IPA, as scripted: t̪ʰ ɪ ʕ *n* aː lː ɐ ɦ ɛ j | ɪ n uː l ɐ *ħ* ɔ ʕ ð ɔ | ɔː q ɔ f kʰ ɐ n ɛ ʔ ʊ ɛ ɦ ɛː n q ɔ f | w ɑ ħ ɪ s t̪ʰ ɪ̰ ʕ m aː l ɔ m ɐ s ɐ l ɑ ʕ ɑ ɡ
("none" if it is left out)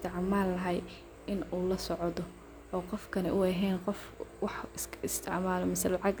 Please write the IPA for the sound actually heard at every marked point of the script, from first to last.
m, s

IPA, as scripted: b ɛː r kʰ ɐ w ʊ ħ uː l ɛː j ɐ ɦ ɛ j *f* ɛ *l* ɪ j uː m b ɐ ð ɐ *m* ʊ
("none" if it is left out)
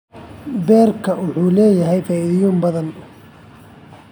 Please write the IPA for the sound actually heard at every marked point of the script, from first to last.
f, none, n

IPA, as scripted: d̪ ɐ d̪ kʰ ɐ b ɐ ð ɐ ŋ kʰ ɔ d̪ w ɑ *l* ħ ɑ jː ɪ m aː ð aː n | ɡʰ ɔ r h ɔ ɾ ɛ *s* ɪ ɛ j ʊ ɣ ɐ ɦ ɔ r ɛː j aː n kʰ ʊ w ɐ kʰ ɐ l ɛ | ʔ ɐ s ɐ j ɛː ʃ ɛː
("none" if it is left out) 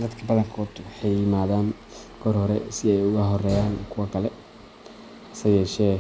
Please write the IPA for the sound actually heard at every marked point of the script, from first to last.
none, s

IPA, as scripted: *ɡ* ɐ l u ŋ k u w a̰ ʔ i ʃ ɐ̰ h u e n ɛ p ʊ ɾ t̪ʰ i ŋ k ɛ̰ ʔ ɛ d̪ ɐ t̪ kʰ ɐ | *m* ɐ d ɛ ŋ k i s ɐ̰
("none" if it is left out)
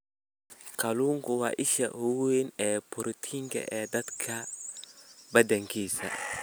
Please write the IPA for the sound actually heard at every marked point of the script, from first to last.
k, b

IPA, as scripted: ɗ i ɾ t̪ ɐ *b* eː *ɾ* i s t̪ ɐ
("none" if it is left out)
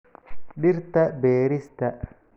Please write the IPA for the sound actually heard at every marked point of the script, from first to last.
b, ɾ

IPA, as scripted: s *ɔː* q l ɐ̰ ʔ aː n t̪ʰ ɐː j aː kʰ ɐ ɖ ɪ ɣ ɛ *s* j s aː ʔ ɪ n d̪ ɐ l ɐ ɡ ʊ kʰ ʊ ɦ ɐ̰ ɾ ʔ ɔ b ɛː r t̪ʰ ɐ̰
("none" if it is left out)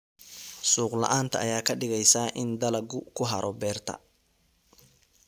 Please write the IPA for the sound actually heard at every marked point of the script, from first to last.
uː, none

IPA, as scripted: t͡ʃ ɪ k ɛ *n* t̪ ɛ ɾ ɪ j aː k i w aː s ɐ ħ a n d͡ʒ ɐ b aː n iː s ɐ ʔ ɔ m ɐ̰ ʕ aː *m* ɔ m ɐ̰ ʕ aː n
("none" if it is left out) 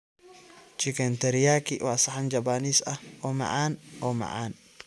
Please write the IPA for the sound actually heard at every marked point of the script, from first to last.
n, n

